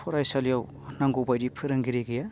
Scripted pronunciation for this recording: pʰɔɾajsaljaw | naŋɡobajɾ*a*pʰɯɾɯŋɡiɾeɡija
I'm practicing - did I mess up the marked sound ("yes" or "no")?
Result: yes